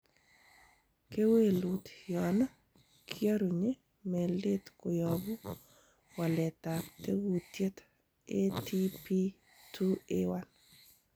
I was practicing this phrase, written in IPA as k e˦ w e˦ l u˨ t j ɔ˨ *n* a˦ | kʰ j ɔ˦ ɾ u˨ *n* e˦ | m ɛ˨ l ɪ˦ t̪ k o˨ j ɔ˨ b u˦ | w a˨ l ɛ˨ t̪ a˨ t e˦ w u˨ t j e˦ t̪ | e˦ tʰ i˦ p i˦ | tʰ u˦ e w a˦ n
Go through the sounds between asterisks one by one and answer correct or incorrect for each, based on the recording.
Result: correct, incorrect: ɲ

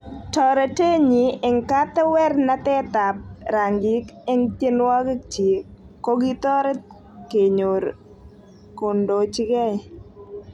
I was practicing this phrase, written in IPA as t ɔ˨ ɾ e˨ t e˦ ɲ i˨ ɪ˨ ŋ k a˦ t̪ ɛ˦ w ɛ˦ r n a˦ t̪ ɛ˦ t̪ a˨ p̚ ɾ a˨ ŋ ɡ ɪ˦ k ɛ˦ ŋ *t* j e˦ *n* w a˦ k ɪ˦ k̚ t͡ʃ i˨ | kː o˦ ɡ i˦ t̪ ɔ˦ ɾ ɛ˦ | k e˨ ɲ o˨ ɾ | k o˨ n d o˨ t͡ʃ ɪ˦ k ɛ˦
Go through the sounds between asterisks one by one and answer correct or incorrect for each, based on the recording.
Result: correct, correct

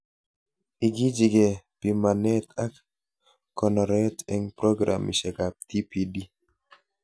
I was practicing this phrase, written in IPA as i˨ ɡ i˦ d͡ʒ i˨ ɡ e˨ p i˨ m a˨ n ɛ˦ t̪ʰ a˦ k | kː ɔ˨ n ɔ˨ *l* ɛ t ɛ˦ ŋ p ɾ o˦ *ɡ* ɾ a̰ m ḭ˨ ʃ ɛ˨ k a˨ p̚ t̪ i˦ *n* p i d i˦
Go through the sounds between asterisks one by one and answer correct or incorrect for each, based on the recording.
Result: incorrect: ɾ, correct, incorrect: none

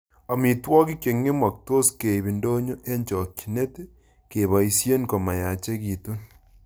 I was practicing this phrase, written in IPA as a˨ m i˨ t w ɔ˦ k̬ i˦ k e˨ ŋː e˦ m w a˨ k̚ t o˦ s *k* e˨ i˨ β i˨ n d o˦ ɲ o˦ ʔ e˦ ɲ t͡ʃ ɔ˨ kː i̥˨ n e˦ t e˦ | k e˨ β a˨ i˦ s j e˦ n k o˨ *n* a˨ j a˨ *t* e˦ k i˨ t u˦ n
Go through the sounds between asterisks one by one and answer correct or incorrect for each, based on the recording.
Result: correct, incorrect: m, incorrect: t͡ʃ

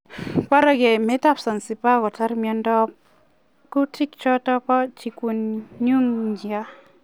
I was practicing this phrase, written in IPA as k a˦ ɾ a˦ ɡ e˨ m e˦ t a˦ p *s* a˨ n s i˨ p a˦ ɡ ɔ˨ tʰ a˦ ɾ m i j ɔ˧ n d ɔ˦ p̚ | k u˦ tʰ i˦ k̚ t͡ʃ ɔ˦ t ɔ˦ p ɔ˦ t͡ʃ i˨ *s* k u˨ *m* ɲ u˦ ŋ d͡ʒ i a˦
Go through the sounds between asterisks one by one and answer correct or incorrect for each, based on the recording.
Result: correct, incorrect: none, incorrect: n

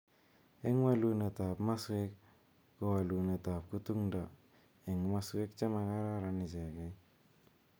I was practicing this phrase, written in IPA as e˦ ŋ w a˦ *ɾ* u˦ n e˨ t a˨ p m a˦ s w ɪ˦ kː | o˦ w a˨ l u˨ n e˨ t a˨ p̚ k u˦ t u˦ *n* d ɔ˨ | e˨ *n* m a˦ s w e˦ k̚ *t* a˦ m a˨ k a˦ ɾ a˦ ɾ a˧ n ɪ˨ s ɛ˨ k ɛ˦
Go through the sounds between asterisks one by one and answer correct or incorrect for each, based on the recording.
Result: incorrect: l, incorrect: ŋ, incorrect: ŋ, incorrect: t͡ʃ

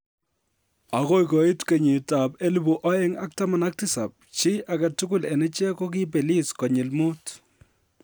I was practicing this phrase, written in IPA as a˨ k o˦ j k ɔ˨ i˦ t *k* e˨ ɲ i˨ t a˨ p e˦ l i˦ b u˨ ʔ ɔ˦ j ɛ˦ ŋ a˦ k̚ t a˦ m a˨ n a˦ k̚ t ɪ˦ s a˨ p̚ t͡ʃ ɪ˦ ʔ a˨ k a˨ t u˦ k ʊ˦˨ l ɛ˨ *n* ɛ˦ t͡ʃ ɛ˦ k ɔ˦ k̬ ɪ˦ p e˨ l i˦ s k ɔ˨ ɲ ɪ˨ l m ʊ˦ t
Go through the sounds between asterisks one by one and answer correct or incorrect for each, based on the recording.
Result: correct, correct

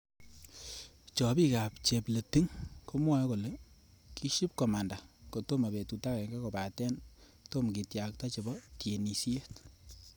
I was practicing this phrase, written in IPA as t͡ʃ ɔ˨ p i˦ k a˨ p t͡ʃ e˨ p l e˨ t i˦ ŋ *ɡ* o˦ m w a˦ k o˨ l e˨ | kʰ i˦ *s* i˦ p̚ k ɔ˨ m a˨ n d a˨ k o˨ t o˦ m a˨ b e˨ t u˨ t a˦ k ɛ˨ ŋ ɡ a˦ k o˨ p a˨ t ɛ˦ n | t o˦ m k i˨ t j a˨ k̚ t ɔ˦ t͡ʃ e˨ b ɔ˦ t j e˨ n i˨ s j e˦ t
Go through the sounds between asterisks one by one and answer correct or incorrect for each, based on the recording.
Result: incorrect: k, incorrect: ʃ

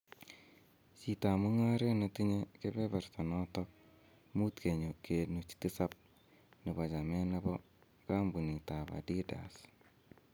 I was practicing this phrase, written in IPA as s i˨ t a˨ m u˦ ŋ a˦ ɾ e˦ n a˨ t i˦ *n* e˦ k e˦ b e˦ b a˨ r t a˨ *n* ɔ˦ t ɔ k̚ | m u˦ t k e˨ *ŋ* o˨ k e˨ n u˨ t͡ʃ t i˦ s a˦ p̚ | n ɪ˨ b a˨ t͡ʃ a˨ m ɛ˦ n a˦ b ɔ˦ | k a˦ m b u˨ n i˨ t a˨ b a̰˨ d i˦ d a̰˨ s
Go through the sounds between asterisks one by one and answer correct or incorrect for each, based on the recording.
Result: incorrect: ɲ, correct, incorrect: ɲ

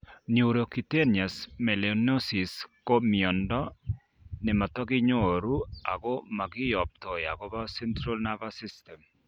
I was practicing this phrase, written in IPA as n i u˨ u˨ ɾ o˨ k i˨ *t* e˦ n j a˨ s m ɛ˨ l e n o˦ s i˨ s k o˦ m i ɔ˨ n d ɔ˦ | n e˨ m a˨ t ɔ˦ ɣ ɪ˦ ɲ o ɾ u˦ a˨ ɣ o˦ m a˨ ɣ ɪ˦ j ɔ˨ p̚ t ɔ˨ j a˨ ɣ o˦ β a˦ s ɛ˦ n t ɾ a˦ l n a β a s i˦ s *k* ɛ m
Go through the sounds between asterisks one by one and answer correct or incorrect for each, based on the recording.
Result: correct, incorrect: t

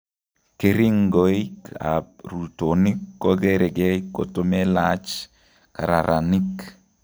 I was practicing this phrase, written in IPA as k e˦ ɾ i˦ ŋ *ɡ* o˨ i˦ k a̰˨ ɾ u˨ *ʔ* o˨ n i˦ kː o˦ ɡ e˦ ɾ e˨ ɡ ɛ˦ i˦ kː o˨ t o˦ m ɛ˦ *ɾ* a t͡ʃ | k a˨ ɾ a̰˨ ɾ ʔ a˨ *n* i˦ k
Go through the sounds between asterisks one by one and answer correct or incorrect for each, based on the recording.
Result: correct, incorrect: t, incorrect: l, correct

